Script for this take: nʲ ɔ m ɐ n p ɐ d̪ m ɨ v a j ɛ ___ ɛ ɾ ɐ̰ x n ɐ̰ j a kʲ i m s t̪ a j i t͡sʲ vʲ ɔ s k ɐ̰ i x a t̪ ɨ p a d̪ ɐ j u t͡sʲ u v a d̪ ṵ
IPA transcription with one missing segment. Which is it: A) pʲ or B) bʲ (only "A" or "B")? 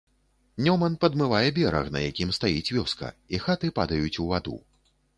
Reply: B